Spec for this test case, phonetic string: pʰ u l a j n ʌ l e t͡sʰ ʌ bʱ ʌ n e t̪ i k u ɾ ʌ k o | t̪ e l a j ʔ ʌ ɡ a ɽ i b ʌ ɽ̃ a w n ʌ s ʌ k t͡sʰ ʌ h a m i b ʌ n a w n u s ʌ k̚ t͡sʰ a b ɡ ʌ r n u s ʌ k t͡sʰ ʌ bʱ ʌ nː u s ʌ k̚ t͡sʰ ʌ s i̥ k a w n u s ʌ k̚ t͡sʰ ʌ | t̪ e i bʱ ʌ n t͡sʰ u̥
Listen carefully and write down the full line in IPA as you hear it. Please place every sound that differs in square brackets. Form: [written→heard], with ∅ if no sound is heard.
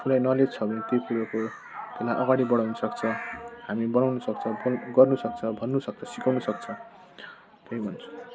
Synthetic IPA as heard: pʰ u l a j n ʌ l e t͡sʰ ʌ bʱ ʌ n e t̪ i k u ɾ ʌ k o | t̪ e l a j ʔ ʌ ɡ a ɽ i b ʌ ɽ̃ a w n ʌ s ʌ k t͡sʰ ʌ h a m i b ʌ n a w n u s ʌ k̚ t͡sʰ [a→ʌ] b ɡ ʌ r n u s ʌ k t͡sʰ ʌ bʱ ʌ nː u s ʌ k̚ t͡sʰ ʌ s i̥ k a w n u s ʌ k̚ t͡sʰ ʌ | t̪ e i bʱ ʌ n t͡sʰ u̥